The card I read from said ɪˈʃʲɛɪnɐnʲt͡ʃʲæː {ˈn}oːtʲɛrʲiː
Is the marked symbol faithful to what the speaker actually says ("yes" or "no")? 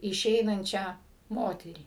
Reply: no